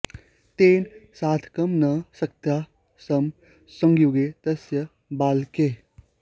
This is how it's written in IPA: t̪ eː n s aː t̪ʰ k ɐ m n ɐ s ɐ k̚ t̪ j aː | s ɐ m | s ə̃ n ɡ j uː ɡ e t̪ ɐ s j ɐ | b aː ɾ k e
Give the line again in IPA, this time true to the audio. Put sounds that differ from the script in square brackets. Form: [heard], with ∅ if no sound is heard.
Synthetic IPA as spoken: t̪ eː n s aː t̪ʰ k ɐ m n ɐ s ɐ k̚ t̪ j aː | s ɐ m | s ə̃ [ŋ] ɡ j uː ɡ e t̪ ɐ s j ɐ | b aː [l] k e